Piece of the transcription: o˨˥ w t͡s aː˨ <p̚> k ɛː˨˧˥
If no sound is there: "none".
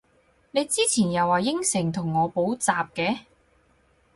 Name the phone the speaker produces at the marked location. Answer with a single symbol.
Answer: p̚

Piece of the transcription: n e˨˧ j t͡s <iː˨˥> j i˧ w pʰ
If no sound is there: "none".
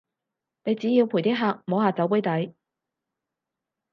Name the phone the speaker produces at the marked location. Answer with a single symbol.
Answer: iː˨˥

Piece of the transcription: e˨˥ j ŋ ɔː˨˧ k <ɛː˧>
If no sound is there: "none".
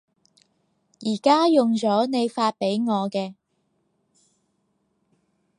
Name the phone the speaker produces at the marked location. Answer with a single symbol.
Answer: ɛː˧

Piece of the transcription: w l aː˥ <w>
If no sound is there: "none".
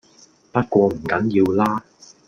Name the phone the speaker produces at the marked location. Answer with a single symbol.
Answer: none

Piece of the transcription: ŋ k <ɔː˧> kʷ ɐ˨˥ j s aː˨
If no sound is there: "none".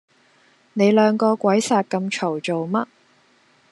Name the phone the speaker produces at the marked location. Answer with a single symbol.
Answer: ɔː˧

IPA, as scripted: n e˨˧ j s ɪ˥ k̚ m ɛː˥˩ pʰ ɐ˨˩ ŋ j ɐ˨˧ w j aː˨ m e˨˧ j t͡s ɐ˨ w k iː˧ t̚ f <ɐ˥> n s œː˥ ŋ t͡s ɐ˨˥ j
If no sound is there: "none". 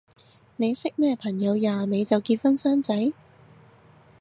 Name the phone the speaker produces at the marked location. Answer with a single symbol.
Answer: ɐ˥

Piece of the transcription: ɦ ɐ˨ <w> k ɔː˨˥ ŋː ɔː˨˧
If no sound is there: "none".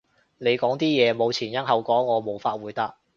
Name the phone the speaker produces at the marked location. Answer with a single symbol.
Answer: w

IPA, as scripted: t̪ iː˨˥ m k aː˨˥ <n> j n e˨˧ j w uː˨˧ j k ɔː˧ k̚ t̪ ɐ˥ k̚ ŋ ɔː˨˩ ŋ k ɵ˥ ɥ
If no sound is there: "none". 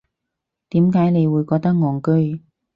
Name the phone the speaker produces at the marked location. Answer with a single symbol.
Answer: none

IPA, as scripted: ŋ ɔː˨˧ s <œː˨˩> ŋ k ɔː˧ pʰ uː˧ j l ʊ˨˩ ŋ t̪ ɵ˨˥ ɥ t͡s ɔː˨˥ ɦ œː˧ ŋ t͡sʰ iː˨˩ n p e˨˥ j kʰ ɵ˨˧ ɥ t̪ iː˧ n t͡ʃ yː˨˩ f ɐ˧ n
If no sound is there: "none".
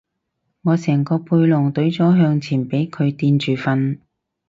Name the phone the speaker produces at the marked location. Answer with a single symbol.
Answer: ɛː˨˩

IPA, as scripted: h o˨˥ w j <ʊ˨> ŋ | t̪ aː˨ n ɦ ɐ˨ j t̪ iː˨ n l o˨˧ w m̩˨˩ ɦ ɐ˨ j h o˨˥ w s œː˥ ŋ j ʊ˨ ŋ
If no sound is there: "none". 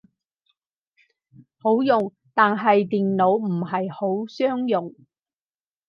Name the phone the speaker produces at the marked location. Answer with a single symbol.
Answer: ʊ˨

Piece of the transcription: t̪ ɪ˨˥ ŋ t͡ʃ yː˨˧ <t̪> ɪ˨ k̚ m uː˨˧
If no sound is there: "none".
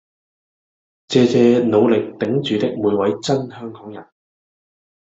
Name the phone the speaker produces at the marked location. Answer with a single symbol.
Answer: t̪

